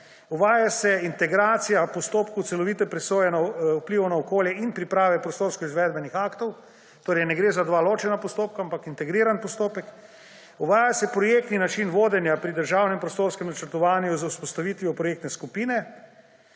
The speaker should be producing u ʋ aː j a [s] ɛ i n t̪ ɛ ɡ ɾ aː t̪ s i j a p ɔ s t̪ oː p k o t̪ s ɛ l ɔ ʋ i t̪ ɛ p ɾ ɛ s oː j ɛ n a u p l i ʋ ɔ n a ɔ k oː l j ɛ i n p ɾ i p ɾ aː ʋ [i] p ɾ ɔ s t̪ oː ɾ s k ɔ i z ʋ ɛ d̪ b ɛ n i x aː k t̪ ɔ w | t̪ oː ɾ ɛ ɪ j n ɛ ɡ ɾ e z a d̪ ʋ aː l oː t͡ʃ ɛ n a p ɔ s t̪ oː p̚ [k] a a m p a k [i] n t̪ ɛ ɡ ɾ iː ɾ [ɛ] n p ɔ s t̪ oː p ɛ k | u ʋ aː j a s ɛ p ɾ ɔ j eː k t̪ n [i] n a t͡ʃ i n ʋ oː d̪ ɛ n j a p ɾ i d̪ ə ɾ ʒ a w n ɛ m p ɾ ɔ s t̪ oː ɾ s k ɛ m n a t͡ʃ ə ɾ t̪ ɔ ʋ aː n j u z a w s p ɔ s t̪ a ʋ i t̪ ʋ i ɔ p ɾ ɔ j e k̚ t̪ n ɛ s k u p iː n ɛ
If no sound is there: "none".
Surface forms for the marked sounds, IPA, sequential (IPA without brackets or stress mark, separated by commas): s, ɛ, k, i, a, i